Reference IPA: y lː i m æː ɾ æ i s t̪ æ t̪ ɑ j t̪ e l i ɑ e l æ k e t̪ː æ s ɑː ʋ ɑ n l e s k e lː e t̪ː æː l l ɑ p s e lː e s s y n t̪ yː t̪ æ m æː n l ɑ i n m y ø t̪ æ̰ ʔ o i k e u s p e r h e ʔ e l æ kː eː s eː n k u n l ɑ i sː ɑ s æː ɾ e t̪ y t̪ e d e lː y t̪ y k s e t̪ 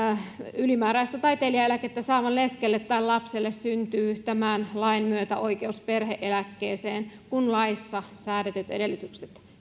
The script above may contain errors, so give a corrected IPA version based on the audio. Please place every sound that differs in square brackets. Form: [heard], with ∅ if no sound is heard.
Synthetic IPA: y [l] i m æː ɾ æ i s t̪ æ t̪ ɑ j t̪ e l i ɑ e l æ k e t̪ː æ s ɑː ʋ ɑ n l e s k e lː e t̪ː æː l l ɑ p s e lː e s s y n t̪ yː t̪ æ m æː n l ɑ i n m y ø t̪ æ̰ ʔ o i k e u s p e r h e ʔ e l æ kː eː s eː n k u n l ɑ i sː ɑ s æː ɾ e t̪ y t̪ e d e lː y t̪ y k s e t̪